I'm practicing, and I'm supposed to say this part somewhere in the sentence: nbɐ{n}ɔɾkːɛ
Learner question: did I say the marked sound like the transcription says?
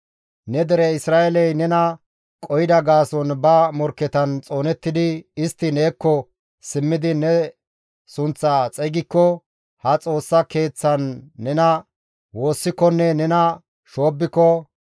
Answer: no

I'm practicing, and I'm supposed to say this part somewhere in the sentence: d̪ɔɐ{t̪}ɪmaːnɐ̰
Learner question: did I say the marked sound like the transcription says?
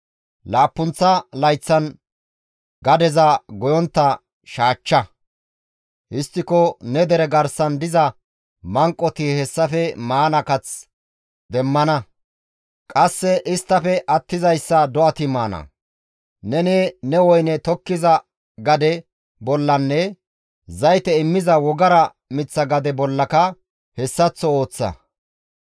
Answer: yes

